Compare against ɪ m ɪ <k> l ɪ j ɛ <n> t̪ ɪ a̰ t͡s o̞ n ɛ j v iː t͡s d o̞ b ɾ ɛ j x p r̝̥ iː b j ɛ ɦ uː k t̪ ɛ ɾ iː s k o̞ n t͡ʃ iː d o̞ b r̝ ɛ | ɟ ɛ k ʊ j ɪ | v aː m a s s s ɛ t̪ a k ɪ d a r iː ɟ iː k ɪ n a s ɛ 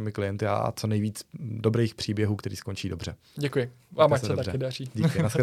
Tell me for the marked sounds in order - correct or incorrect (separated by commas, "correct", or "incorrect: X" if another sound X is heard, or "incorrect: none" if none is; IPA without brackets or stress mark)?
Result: correct, correct